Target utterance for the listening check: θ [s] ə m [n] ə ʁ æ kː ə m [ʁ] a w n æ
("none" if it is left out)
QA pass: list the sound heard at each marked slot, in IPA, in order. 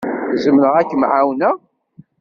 z, n, ʕ

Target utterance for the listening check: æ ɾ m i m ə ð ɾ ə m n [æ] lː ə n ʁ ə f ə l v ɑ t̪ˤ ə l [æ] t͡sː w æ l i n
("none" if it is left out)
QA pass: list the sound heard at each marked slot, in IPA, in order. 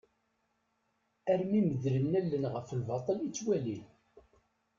æ, i

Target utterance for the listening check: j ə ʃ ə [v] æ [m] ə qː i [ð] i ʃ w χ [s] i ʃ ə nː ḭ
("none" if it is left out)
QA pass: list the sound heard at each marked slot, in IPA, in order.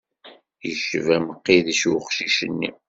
v, m, ð, ʃ

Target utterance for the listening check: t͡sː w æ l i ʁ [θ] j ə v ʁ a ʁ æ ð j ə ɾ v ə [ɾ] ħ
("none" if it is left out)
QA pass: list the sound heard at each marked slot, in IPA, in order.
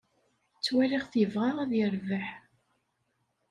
θ, none

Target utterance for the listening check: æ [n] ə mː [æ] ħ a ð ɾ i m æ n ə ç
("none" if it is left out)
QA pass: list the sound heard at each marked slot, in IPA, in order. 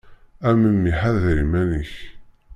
m, i

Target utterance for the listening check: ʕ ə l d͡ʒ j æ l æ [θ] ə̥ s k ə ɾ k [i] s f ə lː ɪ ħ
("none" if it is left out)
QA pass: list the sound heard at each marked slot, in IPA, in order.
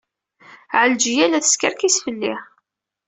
θ, i

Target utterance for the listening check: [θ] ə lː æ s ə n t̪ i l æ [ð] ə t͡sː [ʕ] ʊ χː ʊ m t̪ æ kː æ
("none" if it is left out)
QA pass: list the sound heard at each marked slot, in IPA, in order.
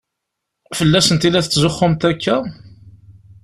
f, θ, z

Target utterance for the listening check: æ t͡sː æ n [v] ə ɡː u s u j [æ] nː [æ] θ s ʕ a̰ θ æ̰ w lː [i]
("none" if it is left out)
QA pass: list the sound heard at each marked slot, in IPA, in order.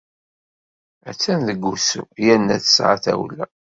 ð, æ, æ, æ

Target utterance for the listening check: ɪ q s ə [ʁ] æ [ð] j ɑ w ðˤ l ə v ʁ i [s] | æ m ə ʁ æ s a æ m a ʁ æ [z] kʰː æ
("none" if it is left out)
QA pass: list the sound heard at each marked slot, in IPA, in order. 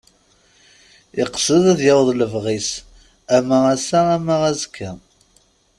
ð, ð, s, z

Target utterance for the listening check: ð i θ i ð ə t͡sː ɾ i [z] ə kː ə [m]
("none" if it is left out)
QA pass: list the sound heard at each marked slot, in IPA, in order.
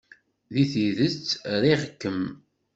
ʁ, m

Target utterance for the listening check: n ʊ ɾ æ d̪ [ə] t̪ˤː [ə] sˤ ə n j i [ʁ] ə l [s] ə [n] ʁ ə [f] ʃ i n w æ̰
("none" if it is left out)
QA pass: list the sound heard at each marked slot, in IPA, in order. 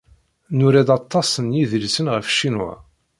ɑ, ɑ, ð, s, n, f

